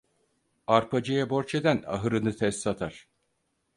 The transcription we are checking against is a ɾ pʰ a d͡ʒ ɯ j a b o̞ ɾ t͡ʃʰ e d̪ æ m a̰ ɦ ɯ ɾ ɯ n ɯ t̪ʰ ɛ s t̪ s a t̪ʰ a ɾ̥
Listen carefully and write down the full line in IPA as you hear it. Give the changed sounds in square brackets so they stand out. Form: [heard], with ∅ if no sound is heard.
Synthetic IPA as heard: a ɾ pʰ a d͡ʒ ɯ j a b o̞ ɾ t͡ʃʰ e d̪ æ [n] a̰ ɦ ɯ ɾ ɯ n ɯ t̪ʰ ɛ s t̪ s a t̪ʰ a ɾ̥